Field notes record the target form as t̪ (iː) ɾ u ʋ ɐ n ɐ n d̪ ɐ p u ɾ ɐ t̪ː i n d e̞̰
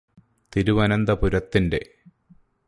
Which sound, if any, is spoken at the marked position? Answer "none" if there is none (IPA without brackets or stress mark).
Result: i